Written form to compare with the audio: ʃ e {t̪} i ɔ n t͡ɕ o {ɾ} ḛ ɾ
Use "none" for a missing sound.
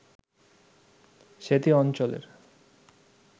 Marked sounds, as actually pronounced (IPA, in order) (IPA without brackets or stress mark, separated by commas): t̪, l